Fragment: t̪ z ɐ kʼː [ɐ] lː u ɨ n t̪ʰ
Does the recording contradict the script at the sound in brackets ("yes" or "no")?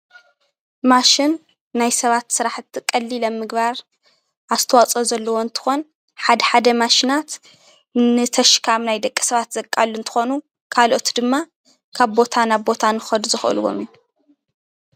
yes